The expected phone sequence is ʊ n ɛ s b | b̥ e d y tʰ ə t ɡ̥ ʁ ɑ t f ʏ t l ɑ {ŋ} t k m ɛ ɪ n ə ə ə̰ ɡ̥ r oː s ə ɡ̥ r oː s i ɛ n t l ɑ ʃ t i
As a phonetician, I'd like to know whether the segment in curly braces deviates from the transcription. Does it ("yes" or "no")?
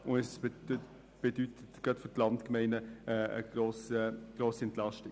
yes